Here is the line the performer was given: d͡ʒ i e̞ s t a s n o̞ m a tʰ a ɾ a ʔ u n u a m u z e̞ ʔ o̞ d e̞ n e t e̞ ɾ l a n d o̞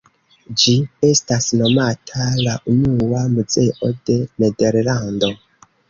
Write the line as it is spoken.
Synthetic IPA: d͡ʒ i e̞ s t a s n o̞ m a tʰ a l a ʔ u n u a m u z e̞ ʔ o̞ d e̞ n e d e̞ ɾ l a n d o̞